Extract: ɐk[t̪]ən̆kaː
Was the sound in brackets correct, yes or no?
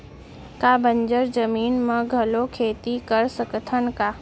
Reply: no